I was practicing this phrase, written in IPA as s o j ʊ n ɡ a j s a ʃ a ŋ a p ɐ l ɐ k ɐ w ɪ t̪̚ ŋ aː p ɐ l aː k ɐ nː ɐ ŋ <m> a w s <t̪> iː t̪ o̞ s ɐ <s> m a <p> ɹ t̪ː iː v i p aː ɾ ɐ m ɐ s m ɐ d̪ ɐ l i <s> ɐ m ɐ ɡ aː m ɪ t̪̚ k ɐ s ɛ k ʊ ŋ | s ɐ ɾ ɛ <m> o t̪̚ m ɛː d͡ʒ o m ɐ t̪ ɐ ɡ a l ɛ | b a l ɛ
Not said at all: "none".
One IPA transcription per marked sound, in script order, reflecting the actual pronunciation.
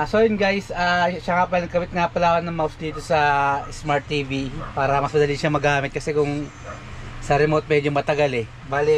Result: m, d̪, s, none, ʃ, m

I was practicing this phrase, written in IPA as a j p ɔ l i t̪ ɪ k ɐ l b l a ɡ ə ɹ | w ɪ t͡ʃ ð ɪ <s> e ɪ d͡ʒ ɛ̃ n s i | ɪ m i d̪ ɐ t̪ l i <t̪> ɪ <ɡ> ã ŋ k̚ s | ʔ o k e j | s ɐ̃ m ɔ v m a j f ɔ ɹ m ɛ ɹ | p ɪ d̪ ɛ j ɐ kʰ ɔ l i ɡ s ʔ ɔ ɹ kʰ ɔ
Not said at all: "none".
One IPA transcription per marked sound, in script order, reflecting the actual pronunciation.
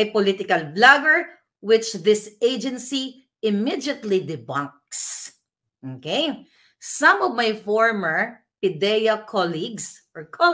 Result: s, d̪, b

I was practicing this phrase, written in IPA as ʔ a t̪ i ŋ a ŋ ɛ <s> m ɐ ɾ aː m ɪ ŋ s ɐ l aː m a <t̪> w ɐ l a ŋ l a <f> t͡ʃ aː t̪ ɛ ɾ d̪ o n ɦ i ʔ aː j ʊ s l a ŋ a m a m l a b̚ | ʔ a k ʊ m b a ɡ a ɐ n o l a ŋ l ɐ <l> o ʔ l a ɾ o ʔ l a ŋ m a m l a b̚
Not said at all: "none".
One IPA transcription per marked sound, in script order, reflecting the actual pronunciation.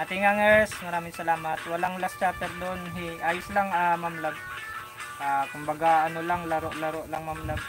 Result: s, t̪, s, ɾ

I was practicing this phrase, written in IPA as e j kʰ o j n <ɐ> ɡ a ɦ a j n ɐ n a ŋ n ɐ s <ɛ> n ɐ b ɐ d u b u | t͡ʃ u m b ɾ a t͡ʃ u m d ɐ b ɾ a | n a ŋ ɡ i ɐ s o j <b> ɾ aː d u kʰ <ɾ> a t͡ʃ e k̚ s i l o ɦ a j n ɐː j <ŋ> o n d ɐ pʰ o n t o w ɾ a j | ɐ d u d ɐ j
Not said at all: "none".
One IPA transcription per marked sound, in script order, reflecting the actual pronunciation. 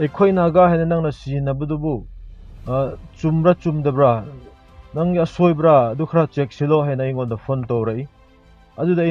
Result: a, i, b, ɾ, ŋ

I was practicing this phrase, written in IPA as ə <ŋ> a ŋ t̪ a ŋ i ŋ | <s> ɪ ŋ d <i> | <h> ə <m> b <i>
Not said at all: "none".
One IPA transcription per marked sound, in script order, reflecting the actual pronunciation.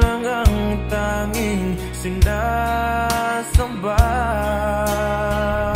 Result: ŋ, s, a, s, m, a

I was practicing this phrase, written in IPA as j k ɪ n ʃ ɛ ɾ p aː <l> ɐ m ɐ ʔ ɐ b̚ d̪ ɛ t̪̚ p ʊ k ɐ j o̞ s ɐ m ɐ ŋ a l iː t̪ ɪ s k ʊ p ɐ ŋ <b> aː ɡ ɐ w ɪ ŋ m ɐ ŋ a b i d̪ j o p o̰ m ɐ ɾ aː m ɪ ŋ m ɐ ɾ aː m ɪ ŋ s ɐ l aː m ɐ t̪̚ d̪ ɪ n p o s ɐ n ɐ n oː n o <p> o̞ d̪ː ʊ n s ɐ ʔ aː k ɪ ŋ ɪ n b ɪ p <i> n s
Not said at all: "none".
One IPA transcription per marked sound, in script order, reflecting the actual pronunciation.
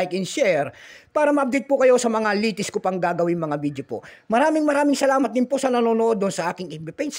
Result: ɾ, ɡ, ʔ, ɛ

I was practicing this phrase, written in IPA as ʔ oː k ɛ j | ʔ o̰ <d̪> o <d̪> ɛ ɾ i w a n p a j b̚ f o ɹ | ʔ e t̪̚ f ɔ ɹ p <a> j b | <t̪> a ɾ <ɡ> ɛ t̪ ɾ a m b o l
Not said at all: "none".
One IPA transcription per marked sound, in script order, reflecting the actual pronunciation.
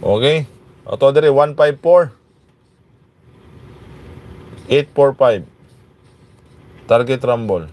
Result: t̪, d̪, a, t̪, ɡ

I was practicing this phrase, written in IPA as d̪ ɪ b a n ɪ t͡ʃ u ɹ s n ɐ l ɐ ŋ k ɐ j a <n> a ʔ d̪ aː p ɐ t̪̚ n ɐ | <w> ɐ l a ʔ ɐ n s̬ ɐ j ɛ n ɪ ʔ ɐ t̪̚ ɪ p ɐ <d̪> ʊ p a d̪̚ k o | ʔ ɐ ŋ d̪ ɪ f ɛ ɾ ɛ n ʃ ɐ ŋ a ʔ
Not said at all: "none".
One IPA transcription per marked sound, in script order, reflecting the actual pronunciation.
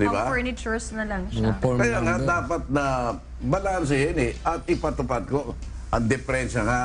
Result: ŋ, b, t̪

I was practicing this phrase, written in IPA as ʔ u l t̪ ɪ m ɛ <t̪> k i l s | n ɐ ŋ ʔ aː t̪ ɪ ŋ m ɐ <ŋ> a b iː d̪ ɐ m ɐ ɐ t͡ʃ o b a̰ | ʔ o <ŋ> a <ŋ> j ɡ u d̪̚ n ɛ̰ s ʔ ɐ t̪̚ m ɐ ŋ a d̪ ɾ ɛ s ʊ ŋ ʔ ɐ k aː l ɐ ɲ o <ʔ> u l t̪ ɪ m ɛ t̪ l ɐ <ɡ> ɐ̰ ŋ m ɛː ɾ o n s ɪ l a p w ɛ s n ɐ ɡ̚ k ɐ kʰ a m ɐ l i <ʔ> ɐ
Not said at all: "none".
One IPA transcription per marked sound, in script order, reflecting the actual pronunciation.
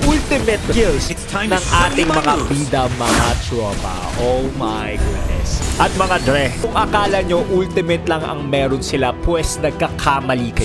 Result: t̪, ŋ, m, none, ʔ, ŋ, k

